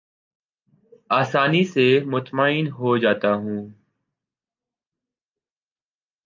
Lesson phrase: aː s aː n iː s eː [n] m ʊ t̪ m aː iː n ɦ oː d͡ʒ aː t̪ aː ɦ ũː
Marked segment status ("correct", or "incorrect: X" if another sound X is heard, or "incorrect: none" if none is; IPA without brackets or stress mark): incorrect: none